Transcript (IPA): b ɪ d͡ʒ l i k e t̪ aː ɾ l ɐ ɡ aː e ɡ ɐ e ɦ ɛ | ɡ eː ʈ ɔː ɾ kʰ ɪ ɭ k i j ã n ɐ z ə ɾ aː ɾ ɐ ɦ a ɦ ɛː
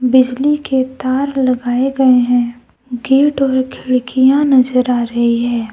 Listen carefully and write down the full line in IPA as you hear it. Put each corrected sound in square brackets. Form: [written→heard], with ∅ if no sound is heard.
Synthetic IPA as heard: b ɪ d͡ʒ l i k e t̪ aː ɾ l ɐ ɡ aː e ɡ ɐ e ɦ [ɛ→ɛ̃] | ɡ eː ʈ ɔː ɾ kʰ ɪ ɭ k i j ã n ɐ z ə ɾ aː ɾ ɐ ɦ [a→i] ɦ ɛː